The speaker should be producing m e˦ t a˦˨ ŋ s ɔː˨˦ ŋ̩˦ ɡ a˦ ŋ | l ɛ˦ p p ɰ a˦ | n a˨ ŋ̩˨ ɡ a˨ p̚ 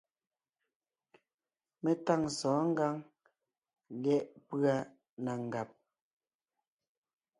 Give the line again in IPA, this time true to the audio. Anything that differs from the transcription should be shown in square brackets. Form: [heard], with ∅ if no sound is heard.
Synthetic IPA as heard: m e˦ t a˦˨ ŋ s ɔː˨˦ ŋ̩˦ ɡ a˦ ŋ | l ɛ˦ [ʔ] p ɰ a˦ | n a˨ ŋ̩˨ ɡ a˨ p̚